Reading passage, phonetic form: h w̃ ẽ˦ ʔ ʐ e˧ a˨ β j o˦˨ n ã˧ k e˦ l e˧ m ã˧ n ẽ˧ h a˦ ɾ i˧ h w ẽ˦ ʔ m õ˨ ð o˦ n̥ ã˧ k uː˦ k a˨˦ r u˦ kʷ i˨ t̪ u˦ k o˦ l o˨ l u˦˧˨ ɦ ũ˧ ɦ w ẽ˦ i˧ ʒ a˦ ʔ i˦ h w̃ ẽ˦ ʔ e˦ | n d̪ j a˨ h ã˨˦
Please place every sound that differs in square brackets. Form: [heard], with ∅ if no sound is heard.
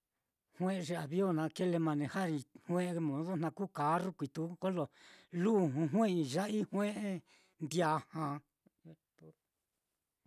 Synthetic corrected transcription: h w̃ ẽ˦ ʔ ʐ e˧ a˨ β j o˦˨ n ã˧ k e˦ l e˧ m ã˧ n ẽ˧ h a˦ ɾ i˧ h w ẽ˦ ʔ m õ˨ ð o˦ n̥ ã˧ k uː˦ k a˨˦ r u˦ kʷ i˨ t̪ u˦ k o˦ l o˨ l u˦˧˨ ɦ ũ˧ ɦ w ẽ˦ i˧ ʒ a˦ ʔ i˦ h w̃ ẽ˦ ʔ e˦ | n d̪ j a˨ h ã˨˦